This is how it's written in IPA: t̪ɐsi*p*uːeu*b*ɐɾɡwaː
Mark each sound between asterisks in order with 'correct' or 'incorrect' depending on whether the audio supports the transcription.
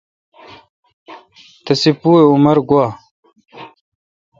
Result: correct, incorrect: m

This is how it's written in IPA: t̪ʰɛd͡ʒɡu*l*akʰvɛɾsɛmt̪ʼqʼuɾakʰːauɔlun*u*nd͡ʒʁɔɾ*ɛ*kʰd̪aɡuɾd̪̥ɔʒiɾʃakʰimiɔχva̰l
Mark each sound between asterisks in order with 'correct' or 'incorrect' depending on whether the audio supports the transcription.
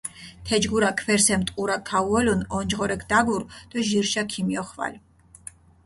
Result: incorrect: ɾ, incorrect: ɔ, correct

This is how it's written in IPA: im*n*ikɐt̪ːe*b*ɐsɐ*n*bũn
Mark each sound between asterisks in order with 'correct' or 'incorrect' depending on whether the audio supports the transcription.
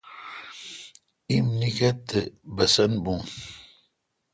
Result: correct, correct, correct

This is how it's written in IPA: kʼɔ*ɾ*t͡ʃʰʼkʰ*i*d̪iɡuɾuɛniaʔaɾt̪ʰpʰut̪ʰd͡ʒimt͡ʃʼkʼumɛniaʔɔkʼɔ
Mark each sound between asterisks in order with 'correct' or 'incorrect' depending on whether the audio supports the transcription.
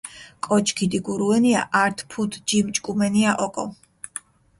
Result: incorrect: none, correct

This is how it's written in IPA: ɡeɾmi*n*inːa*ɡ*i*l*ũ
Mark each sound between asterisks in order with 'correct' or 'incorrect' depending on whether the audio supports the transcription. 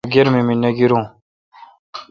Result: incorrect: m, correct, incorrect: ɾ

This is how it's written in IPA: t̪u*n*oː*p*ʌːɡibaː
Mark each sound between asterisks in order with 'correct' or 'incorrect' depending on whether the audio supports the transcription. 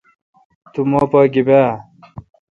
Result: incorrect: m, correct

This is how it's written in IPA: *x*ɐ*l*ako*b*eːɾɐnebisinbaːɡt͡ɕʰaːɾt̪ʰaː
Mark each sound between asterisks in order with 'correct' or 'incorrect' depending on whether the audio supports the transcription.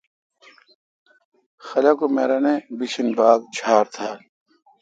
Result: correct, correct, incorrect: m

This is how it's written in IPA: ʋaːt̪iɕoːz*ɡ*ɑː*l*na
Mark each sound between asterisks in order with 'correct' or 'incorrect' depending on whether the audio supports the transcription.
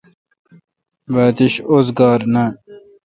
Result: correct, incorrect: ɾ

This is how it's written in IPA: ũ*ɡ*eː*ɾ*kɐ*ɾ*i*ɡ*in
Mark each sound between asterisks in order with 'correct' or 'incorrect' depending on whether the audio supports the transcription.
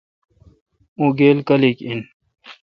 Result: correct, incorrect: l, incorrect: l, incorrect: k

